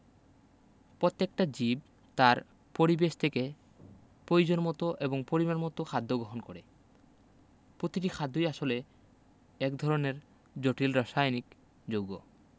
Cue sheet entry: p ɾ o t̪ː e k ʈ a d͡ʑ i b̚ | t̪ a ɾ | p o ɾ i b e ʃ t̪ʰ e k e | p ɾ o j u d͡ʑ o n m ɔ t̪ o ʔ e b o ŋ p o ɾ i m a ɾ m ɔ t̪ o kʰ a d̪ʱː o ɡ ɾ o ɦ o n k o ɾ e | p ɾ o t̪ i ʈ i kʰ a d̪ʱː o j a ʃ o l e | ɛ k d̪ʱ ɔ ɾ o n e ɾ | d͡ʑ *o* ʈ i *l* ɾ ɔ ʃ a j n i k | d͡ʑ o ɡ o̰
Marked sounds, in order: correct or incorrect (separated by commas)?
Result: correct, correct